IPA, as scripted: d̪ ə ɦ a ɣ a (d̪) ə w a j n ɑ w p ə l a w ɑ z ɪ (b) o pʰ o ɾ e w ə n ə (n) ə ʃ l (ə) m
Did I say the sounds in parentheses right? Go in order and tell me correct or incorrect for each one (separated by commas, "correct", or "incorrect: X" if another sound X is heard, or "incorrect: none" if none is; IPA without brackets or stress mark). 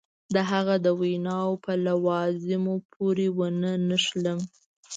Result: correct, incorrect: m, correct, correct